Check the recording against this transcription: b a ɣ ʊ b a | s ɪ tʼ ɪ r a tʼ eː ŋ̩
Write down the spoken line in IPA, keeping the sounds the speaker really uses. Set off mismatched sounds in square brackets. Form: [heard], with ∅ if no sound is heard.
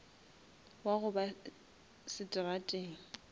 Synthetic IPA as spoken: [w] a ɣ ʊ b a | s ɪ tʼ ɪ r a tʼ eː ŋ̩

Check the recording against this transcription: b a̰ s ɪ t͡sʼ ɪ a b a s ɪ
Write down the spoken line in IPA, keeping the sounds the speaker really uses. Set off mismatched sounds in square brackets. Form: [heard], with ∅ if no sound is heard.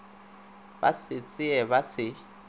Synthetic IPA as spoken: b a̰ s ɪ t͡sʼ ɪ [ɛ] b a s ɪ

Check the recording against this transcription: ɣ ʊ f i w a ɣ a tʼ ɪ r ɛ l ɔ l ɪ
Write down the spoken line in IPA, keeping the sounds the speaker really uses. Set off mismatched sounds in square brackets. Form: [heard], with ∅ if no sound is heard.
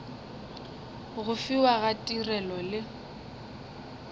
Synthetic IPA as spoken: ɣ ʊ f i w a ɣ a tʼ [i] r ɛ l ɔ l ɪ

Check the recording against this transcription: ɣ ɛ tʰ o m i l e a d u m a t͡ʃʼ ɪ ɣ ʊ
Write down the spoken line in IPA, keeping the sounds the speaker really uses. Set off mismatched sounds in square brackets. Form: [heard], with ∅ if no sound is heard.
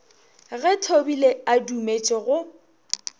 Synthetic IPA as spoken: ɣ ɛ tʰ o [b] i l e a d u m [e] t͡ʃʼ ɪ ɣ ʊ

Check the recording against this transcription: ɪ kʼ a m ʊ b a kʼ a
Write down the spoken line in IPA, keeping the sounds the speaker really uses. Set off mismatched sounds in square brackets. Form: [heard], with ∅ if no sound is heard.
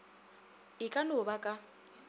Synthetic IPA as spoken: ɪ kʼ a [n] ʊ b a kʼ a

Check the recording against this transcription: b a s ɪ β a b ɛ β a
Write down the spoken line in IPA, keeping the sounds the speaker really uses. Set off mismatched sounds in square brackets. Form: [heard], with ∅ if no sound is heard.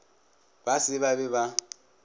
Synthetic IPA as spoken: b a s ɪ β a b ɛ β a

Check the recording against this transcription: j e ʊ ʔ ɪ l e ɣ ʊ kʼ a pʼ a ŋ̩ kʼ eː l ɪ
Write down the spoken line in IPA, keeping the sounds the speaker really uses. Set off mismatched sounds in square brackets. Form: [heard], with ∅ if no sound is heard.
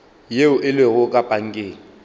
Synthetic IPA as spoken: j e ʊ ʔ ɪ l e ɣ ʊ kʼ a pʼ a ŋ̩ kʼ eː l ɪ

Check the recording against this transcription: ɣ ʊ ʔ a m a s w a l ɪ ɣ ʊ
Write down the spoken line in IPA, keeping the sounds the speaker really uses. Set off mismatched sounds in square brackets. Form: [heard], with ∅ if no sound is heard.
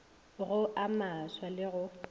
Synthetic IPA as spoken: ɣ ʊ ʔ a m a s w a l ɪ ɣ ʊ

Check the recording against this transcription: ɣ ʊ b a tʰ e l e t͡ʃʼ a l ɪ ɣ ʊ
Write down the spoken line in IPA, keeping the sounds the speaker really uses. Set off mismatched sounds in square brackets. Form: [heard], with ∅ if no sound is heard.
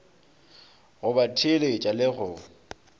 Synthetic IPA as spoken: ɣ ʊ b a tʰ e l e t͡ʃʼ a l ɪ ɣ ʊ

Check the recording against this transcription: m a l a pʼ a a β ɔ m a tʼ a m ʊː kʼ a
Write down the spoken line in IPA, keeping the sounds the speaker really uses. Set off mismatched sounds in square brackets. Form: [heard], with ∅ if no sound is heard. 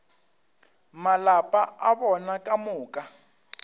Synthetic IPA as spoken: m a l a pʼ a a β ɔ [n] a [kʼ] a m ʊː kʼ a

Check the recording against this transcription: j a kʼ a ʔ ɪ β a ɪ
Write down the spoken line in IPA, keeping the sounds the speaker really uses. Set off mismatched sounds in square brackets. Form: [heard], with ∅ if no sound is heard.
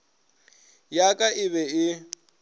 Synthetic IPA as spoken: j a kʼ a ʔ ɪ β [ɛ] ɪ

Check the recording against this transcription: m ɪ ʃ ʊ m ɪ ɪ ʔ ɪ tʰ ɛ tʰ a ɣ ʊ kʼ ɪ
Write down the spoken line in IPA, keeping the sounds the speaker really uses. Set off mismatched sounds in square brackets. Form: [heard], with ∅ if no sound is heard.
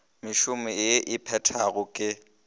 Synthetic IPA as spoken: m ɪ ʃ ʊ m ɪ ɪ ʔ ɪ [pʰ] ɛ tʰ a ɣ ʊ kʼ ɪ

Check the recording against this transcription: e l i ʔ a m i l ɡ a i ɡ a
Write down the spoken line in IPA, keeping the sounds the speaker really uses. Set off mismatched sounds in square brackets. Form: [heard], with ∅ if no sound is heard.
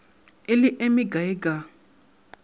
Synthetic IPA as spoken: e l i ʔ [e] m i [∅] ɡ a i ɡ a

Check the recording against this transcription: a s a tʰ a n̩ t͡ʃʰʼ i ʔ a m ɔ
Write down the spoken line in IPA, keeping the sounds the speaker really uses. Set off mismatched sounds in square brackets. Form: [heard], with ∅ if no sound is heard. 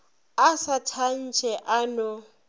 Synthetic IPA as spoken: a s a tʰ a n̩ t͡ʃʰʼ [ɛ] ʔ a [n] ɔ

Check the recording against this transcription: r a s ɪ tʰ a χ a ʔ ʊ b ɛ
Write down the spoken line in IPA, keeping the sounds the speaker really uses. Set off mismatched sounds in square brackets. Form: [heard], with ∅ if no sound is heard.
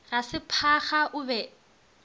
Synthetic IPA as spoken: r a s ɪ [pʰ] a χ a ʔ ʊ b ɛ

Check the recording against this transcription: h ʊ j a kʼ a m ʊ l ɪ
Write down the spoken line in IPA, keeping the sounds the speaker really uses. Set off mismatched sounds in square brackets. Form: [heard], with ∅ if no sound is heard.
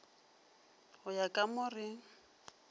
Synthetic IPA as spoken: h ʊ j a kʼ a m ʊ [r] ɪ

